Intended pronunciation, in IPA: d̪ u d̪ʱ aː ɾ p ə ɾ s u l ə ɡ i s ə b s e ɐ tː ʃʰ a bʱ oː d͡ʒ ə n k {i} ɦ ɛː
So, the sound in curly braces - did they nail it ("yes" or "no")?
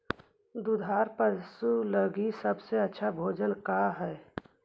no